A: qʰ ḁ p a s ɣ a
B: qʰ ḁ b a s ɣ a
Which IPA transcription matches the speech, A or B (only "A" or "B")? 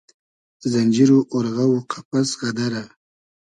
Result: A